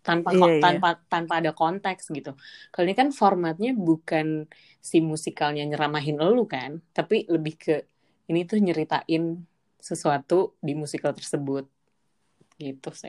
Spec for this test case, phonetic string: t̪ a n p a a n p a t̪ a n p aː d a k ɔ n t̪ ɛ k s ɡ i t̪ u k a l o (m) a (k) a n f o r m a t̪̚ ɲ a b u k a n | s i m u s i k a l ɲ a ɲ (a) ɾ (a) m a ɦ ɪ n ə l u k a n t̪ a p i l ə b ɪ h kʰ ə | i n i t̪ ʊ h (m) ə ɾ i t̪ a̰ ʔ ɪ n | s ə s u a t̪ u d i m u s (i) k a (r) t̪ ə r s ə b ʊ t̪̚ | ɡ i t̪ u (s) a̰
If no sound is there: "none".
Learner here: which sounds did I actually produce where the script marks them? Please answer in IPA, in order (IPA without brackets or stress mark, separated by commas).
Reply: ɲ, k, ə, a, ɲ, i, l, s